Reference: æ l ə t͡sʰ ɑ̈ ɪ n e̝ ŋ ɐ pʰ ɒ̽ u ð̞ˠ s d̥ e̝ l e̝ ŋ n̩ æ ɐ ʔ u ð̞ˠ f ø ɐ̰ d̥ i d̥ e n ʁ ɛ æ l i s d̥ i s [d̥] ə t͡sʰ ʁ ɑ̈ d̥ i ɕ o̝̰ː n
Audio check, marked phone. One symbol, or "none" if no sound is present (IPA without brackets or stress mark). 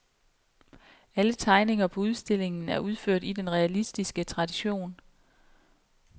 ɡ̥